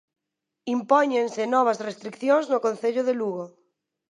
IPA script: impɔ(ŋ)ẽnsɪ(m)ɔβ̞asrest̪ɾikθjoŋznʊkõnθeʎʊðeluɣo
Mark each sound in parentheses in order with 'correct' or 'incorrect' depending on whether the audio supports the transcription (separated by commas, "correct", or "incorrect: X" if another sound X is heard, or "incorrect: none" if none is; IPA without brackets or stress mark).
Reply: incorrect: ɲ, incorrect: n